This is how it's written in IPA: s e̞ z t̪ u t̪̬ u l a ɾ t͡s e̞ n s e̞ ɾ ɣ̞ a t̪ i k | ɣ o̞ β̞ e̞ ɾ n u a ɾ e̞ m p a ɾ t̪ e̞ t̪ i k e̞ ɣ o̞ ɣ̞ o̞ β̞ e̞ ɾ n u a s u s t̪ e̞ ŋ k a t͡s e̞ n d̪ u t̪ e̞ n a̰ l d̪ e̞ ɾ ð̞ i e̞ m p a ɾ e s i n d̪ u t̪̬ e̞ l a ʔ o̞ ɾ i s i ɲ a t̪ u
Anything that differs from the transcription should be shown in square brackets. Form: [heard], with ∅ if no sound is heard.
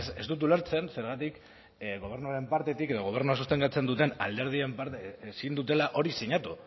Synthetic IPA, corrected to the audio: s e̞ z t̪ u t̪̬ u l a ɾ t͡s e̞ n s e̞ ɾ ɣ̞ a t̪ i k | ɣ o̞ β̞ e̞ ɾ n u a ɾ e̞ m p a ɾ t̪ e̞ t̪ i k e̞ [ð] o̞ ɣ̞ o̞ β̞ e̞ ɾ n u a s u s t̪ e̞ ŋ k a t͡s e̞ n d̪ u t̪ e̞ n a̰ l d̪ e̞ ɾ ð̞ i e̞ m p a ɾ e s i n d̪ u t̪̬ e̞ l a ʔ o̞ ɾ i s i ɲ a t̪ u